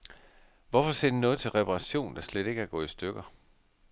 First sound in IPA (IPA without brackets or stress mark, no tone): ʋ